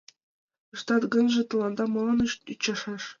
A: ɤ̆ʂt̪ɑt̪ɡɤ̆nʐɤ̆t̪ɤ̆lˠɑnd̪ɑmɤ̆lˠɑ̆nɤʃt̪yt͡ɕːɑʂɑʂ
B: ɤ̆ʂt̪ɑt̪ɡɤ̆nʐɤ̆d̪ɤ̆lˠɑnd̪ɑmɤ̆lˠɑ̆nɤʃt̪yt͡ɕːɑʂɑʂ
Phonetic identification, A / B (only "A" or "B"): A